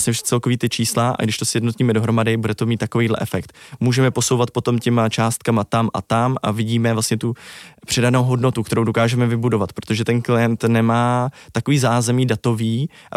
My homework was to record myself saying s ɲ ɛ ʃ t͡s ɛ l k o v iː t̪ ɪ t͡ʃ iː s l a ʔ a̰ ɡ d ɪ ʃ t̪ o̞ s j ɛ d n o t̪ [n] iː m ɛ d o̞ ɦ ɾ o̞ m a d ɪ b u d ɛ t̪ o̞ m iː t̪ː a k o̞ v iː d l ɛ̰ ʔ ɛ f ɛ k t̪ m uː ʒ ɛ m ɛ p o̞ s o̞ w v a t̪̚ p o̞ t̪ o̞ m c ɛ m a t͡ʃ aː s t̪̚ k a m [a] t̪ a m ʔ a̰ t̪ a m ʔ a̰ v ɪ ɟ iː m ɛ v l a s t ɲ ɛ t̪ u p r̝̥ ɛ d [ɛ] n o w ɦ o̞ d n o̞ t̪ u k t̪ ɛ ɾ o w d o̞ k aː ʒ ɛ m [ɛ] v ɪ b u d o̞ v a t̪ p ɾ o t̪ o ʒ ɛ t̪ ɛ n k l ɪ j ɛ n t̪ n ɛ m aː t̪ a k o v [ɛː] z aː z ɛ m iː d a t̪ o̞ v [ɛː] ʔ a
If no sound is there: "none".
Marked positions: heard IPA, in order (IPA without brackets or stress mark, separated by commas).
ɲ, a, a, ɛ, iː, iː